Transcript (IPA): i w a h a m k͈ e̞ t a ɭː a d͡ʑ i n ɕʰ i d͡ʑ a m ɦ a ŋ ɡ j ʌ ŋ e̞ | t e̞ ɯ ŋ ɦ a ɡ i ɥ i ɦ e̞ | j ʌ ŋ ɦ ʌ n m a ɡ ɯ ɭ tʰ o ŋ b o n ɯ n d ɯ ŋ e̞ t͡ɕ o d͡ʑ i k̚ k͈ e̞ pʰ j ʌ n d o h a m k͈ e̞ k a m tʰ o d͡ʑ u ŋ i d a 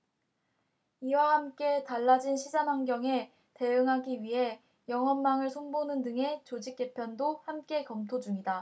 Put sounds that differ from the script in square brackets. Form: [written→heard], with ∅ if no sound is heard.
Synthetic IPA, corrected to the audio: i w a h a m k͈ e̞ t a ɭː a d͡ʑ i n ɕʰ i d͡ʑ a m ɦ a ŋ ɡ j ʌ ŋ e̞ | t e̞ ɯ ŋ ɦ a ɡ i ɥ i ɦ e̞ | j ʌ ŋ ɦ ʌ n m a [ɡ→ŋ] ɯ ɭ [tʰ→sʰ] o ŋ b o n ɯ n d ɯ ŋ e̞ t͡ɕ o d͡ʑ i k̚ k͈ e̞ pʰ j ʌ n d o h a m k͈ e̞ k [a→ʌ] m tʰ o d͡ʑ u ŋ i d a